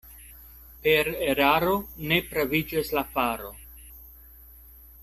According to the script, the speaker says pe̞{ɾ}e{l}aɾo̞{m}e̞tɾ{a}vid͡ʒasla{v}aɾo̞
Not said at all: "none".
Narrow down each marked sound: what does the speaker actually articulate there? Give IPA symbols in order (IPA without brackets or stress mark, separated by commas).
ɾ, ɾ, n, a, f